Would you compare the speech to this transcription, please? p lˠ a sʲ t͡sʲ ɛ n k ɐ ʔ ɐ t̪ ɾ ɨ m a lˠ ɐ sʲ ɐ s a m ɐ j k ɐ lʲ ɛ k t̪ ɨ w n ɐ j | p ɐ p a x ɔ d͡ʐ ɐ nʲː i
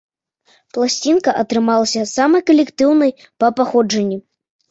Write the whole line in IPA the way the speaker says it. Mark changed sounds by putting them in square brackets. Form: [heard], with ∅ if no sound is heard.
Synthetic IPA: p lˠ a sʲ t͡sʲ [i] n k ɐ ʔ ɐ t̪ ɾ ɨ m a lˠ ɐ sʲ ɐ s a m ɐ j k ɐ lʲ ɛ k t̪ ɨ w n ɐ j | p ɐ p a x ɔ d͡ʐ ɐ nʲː i